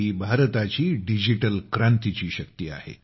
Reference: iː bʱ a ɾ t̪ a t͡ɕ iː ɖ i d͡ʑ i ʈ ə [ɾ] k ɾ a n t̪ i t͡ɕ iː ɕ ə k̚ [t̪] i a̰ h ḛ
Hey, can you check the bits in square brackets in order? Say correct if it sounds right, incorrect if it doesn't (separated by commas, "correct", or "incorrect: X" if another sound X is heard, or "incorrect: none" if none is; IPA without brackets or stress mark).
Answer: incorrect: l, correct